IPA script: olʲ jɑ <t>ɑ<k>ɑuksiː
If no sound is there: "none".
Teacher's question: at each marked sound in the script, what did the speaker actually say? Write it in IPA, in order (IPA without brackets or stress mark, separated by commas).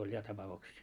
t, p